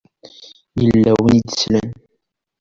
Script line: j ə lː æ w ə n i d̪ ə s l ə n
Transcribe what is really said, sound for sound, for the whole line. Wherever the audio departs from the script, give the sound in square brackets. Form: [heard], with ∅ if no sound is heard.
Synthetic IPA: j ə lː æ w ə n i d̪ ə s l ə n